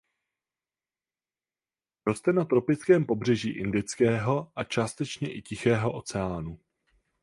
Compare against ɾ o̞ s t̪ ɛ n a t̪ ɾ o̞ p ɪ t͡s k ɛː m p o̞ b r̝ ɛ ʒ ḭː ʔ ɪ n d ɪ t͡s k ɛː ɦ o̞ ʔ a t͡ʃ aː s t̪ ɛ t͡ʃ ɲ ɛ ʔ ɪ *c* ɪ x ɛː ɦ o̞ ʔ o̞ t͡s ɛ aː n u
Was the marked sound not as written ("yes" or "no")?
no